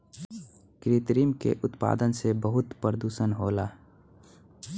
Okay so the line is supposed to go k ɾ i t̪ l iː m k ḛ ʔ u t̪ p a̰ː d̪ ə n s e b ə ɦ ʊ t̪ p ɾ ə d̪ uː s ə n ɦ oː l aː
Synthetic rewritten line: k ɾ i t̪ ɾ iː m k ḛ ʔ ʊ t̪ p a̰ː d̪ ə n s e b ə ɦ ʊ t̪ p ɾ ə d̪ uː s ə n ɦ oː l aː